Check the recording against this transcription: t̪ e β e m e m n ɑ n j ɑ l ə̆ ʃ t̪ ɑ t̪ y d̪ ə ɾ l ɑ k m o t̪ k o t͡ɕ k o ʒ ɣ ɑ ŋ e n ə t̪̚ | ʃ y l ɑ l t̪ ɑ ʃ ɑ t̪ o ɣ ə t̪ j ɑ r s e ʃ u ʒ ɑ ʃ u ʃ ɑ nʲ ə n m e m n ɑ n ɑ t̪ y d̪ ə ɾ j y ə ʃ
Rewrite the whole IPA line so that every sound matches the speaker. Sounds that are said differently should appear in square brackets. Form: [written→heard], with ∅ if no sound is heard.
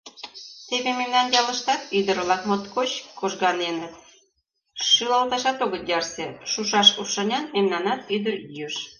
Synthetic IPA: t̪ e β e m e m n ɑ n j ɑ l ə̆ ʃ t̪ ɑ t̪ y d̪ ə ɾ l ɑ k m o t̪ k o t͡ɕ k o ʒ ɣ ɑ [ŋ→n] e n ə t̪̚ | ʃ y l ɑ l t̪ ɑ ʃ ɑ t̪ o ɣ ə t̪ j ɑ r s e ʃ u [ʒ→ʃ] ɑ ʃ u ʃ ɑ nʲ [ə→ɑ] n m e m n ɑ n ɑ t̪ y d̪ ə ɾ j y ə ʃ